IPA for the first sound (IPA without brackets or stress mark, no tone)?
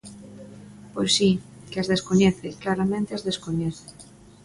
p